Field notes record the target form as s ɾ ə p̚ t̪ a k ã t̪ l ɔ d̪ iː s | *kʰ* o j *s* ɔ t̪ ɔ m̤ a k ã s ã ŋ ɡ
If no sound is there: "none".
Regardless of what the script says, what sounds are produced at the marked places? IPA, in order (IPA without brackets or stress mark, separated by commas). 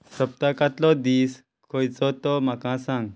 kʰ, t͡s